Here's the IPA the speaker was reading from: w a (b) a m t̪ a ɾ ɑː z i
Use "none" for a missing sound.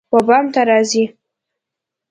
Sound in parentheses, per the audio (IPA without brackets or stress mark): b